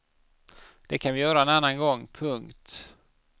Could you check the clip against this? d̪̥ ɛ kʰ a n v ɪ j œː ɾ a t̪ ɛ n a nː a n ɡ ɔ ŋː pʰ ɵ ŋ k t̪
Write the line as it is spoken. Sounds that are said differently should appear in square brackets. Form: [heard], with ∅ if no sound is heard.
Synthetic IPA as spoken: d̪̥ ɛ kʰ a n v ɪ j œː ɾ a [∅] ɛ n a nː a n ɡ ɔ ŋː pʰ ɵ ŋ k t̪

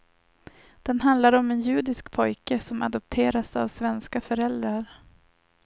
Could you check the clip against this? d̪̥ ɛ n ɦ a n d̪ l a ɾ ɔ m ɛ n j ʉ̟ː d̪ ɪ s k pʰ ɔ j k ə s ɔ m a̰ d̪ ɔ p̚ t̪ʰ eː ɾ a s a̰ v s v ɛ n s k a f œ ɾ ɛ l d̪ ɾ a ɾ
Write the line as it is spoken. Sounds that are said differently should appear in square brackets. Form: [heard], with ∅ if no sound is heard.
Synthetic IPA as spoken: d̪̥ ɛ n ɦ a n d̪ l a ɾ ɔ m ɛ n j ʉ̟ː d̪ ɪ s k pʰ ɔ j k ə s ɔ m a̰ d̪ ɔ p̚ t̪ʰ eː ɾ a s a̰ v s v ɛ n s k a f œ ɾ ɛ l d̪ ɾ a ɾ

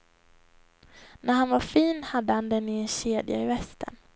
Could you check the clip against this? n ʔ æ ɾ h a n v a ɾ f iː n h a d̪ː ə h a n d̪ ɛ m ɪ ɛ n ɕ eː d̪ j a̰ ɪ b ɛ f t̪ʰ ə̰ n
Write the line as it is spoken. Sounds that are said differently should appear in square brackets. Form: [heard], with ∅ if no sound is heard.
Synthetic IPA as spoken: n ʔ æ ɾ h a n v a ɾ f iː n h a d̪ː ə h a n d̪ ɛ [n] ɪ ɛ n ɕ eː d̪ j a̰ ɪ [v] ɛ [s] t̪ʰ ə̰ n

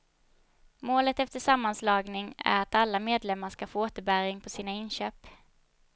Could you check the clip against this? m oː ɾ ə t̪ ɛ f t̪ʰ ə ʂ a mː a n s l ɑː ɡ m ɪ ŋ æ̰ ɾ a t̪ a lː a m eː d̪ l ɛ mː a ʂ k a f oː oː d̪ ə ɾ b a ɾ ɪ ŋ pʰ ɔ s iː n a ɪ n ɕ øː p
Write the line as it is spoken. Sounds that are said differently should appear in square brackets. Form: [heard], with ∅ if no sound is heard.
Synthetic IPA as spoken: m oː [l] ə t̪ ɛ f [t̪] ə ʂ a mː a n s l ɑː ɡ [n] ɪ ŋ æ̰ ɾ a t̪ a lː a m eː d̪ l ɛ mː a ʂ k a f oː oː [t̪] ə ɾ b [æ] ɾ ɪ ŋ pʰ ɔ s iː n a ɪ n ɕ øː p

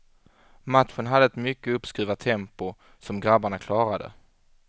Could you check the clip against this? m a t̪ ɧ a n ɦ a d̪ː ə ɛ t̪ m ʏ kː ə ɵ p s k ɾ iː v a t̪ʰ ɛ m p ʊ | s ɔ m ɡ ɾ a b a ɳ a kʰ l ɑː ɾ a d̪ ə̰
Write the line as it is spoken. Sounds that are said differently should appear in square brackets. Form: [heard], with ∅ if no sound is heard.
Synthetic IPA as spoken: m a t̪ ɧ [ə] n ɦ a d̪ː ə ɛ t̪ m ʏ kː ə ɵ p s k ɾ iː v a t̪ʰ ɛ m p ʊ | s ɔ m ɡ ɾ a b a ɳ a kʰ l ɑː ɾ a d̪ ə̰

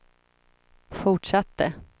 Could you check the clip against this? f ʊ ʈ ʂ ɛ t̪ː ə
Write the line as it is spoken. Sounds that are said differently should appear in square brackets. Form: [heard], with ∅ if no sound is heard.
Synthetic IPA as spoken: f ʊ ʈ ʂ [a] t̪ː ə

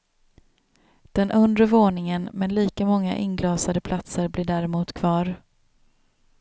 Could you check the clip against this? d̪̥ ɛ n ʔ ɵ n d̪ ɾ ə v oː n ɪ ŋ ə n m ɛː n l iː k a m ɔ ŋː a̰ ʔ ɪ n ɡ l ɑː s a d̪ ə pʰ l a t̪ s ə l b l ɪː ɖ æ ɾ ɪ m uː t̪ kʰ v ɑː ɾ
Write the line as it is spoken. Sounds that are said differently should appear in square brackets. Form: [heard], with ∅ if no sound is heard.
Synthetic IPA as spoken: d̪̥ ɛ n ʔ ɵ n d̪ ɾ ə v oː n ɪ ŋ ə n m [ɛ] n l iː k a m ɔ ŋː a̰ ʔ ɪ n ɡ l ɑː s a d̪ ə pʰ l a t̪ s ə [ɾ] b l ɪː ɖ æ ɾ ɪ m uː t̪ kʰ v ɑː ɾ

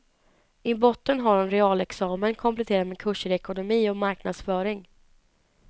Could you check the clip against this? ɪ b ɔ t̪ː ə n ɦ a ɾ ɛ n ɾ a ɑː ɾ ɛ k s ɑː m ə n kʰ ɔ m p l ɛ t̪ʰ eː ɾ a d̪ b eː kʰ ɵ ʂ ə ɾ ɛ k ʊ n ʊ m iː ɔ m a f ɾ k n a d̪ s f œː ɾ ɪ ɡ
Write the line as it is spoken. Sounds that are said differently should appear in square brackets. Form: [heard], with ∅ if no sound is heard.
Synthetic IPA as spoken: ɪ b ɔ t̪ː ə n ɦ a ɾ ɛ n ɾ [ɛ] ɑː [l] ɛ k s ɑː m ə n kʰ ɔ m p l ɛ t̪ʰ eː ɾ a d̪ [m] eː kʰ ɵ ʂ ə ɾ ɛ k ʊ n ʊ m iː ɔ m a [∅] ɾ k n a d̪ s f œː ɾ ɪ [ŋ]

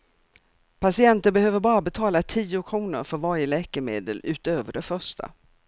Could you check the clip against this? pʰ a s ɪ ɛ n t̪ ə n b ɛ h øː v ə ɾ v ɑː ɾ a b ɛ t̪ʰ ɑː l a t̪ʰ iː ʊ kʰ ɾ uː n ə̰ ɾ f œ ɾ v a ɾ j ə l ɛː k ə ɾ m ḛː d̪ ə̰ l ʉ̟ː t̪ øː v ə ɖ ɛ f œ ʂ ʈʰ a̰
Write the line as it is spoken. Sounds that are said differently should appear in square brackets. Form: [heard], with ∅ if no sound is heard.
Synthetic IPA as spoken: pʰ a s ɪ ɛ n t̪ ə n b ɛ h øː v ə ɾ [b] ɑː ɾ a b ɛ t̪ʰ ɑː l a t̪ʰ iː ʊ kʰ ɾ uː n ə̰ ɾ f œ ɾ v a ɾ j ə l ɛː k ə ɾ m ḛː d̪ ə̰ l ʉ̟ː t̪ øː v ə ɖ ɛ f œ ʂ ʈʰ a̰

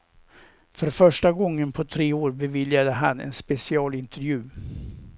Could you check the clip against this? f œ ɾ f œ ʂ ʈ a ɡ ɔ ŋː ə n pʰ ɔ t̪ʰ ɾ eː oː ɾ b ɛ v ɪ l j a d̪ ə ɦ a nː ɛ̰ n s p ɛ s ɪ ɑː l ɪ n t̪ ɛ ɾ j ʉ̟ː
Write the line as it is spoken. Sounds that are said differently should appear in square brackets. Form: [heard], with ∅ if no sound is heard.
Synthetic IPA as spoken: f œ ɾ f œ ʂ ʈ a ɡ ɔ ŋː ə n pʰ ɔ t̪ʰ ɾ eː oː ɾ b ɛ v ɪ l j a d̪ ə ɦ a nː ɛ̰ n s p ɛ s ɪ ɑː l ɪ n t̪ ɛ ɾ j ʉ̟ː

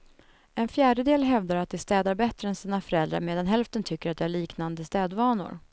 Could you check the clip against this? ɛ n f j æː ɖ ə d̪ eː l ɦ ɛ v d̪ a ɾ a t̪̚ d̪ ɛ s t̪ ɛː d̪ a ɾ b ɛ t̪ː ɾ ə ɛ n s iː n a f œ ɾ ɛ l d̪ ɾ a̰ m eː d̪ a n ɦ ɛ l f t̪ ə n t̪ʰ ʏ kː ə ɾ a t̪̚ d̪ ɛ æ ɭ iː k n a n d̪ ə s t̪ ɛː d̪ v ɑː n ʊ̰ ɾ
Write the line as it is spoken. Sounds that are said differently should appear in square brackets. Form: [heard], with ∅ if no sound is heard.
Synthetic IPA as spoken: ɛ n f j æː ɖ ə d̪ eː l ɦ ɛ v d̪ a ɾ a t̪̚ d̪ ɛ s t̪ ɛː d̪ a ɾ b ɛ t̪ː ɾ ə ɛ n s iː n a f œ ɾ ɛ l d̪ ɾ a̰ m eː d̪ a n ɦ ɛ l f t̪ ə n t̪ʰ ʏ kː ə ɾ a t̪̚ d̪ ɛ æ ɭ iː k n a n d̪ ə s t̪ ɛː d̪ v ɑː n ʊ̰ ɾ

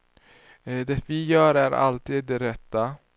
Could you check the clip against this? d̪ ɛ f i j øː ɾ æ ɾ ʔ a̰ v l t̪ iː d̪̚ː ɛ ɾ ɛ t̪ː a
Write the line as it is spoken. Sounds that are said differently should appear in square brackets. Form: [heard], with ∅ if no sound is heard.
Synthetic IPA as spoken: d̪ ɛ [v] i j [œː] ɾ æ ɾ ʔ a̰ [∅] l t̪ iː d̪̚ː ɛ ɾ ɛ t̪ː a

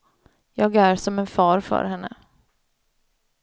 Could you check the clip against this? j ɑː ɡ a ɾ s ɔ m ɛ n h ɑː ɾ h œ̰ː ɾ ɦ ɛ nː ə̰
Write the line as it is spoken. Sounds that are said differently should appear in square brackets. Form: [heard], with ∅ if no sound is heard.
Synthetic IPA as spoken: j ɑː ɡ [æ] ɾ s ɔ m ɛ n [f] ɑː ɾ [f] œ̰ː ɾ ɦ ɛ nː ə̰

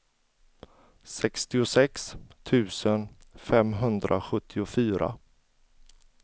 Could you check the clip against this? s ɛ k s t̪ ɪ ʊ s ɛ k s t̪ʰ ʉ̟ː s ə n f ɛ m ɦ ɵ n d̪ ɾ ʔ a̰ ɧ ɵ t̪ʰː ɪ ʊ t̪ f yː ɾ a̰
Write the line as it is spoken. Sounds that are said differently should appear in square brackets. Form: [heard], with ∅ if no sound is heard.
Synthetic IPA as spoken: s ɛ k s t̪ ɪ ʊ s ɛ k s t̪ʰ ʉ̟ː s ə n f ɛ m ɦ ɵ n d̪ ɾ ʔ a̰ ɧ ɵ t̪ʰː ɪ ʊ [∅] f yː ɾ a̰

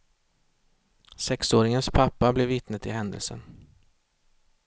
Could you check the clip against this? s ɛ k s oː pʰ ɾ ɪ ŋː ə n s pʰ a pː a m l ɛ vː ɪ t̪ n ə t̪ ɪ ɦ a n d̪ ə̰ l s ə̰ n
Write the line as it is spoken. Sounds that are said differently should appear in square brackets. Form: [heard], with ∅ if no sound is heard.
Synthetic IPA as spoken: s ɛ k s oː [∅] ɾ ɪ [ŋ] ə n s pʰ a pː a [b] l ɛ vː ɪ t̪ n ə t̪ ɪ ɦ [ɛ] n d̪ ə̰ l s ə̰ n

